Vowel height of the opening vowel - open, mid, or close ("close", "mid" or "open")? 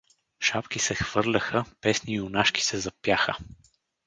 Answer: open